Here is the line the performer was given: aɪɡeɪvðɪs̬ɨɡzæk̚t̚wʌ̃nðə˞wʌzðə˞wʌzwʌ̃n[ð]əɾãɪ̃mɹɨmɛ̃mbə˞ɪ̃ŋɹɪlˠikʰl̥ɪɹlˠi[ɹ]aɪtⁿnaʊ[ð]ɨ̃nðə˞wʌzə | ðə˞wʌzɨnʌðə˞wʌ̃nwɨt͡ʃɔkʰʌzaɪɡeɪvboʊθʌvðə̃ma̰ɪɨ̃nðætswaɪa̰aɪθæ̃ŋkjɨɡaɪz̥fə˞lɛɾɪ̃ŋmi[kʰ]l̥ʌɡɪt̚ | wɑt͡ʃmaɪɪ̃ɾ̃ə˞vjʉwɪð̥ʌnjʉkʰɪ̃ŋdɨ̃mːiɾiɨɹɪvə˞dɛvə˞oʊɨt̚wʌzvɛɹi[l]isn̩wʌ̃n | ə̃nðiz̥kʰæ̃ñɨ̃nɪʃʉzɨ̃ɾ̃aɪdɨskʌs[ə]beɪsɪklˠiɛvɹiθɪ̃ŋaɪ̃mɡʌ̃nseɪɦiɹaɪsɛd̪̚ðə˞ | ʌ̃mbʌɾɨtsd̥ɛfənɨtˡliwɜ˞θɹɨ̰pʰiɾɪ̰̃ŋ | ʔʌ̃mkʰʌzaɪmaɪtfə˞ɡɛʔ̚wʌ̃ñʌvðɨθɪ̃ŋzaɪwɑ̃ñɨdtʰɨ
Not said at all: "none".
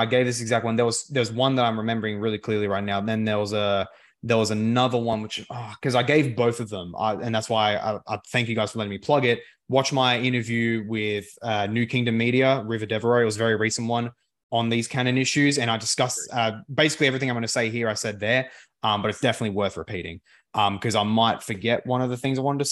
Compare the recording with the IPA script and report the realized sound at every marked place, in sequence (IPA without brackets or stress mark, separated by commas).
ð, ɹ, ð, pʰ, ɹ, ʌ